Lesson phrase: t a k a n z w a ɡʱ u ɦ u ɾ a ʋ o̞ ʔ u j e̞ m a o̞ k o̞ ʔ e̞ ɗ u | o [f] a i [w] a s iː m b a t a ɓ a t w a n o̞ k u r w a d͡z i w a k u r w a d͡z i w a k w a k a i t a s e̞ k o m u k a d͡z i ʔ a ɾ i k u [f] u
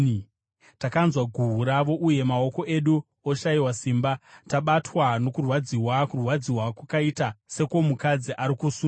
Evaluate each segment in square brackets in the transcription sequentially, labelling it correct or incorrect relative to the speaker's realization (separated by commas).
incorrect, correct, incorrect